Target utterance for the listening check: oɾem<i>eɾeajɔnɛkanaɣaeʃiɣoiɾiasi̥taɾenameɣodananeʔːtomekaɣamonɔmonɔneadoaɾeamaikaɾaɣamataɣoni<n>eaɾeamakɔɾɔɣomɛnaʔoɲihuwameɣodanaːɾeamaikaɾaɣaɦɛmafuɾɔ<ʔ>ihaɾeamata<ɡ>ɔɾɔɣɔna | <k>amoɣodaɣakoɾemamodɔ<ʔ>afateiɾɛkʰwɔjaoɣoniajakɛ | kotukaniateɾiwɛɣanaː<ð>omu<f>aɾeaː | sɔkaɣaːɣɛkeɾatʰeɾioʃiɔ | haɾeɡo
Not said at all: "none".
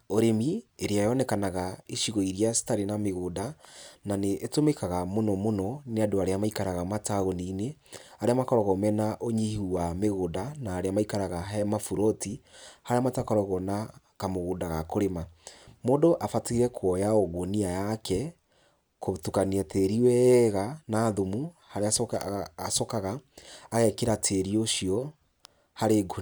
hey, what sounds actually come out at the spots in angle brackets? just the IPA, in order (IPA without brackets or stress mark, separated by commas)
i, n, t, k, k, ʔ, ð, h